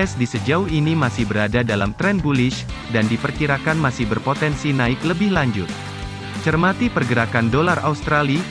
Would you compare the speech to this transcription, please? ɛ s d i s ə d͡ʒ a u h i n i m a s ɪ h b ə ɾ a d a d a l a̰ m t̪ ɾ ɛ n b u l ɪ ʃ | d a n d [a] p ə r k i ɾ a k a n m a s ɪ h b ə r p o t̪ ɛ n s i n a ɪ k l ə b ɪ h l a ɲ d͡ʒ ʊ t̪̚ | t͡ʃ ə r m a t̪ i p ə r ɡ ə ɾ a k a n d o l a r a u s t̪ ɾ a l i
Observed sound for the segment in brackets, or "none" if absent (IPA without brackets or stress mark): i